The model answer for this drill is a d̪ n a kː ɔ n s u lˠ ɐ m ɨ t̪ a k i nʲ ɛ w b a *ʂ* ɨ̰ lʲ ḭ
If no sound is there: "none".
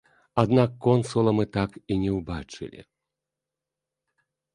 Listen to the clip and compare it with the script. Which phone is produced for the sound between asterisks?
t͡ʂ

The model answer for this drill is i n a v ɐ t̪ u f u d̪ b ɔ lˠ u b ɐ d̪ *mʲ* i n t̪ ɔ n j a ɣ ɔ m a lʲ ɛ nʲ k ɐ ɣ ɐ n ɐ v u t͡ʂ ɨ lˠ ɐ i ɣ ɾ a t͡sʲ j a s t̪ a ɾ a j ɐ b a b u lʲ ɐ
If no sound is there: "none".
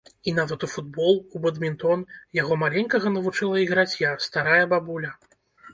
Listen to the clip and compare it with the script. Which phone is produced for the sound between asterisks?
mʲ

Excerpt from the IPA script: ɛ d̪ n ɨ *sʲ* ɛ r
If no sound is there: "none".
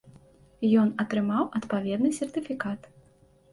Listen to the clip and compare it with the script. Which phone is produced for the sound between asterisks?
sʲ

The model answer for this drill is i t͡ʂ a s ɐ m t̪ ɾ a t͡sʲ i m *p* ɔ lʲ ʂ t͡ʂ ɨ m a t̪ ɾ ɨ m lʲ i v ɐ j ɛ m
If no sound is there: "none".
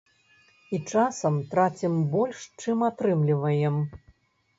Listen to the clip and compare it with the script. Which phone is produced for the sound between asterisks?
b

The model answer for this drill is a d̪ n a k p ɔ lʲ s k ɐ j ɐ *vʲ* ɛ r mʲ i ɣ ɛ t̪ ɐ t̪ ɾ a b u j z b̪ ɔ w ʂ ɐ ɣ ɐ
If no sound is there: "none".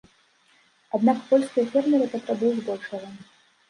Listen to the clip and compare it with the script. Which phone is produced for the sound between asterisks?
fʲ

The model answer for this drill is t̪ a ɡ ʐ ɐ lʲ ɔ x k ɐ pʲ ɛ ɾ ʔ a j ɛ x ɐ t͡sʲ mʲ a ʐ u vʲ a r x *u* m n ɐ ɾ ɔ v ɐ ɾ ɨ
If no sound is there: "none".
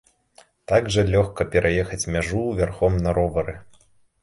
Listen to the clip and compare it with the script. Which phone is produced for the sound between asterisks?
ɔ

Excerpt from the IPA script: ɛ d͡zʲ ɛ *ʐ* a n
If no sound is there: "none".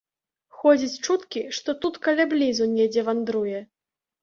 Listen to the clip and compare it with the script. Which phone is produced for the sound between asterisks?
v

